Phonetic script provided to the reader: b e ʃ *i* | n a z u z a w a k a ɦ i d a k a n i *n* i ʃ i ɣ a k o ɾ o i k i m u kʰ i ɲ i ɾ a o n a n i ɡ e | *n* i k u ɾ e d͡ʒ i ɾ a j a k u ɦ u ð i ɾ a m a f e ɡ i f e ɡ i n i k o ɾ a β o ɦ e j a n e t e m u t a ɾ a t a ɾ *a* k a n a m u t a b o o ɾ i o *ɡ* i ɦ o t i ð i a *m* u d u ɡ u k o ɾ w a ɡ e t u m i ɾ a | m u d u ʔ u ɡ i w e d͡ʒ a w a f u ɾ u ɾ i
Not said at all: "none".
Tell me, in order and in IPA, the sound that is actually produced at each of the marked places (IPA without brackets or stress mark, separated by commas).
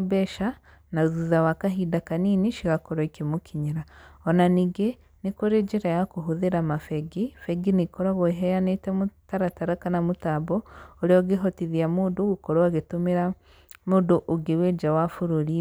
a, n, n, a, ɡ, m